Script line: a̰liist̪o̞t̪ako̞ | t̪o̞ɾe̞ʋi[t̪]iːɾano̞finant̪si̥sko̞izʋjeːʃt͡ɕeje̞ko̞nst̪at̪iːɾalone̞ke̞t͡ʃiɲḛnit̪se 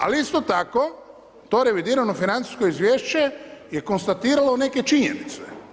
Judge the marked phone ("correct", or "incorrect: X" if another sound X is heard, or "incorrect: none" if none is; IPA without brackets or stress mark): incorrect: d̪